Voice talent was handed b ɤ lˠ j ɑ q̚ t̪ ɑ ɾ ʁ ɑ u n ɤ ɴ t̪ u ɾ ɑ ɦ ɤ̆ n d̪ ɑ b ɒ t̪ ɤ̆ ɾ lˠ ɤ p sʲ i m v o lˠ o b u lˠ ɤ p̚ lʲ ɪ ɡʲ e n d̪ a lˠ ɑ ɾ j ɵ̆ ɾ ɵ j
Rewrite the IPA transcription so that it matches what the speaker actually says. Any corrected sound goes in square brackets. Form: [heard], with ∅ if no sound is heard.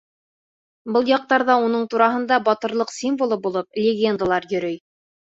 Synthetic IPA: b ɤ lˠ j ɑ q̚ t̪ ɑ ɾ [ð] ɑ u n ɤ ɴ t̪ u ɾ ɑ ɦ ɤ̆ n d̪ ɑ b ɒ t̪ ɤ̆ ɾ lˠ ɤ [q] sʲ i m v o lˠ [ɤ] b u lˠ ɤ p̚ lʲ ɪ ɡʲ e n d̪ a lˠ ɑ ɾ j ɵ̆ ɾ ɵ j